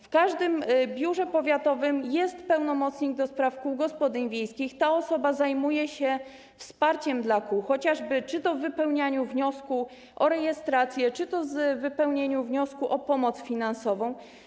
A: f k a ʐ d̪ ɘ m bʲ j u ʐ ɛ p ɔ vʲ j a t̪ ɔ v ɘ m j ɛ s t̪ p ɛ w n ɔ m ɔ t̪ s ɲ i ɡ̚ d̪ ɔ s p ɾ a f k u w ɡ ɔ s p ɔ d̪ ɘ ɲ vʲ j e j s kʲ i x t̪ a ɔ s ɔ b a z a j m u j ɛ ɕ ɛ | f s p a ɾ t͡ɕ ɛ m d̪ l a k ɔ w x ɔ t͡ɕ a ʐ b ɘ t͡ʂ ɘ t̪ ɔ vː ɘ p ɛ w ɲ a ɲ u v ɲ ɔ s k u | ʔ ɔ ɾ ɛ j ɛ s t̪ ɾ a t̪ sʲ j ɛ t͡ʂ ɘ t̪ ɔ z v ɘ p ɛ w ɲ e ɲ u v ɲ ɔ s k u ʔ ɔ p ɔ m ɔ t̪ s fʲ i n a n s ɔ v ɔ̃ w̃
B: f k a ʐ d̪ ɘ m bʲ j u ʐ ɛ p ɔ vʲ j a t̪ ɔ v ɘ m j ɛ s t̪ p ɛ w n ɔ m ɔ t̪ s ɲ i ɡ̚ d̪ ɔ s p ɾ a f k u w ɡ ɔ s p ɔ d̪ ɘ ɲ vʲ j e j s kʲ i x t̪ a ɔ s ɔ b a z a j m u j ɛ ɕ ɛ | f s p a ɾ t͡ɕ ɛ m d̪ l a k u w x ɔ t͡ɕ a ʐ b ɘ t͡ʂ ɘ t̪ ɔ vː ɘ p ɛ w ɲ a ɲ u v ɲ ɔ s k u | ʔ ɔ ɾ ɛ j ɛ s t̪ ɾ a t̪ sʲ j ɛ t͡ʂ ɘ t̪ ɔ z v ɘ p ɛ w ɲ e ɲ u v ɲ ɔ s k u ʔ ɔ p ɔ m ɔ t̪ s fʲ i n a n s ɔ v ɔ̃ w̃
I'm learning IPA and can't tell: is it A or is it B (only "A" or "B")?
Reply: B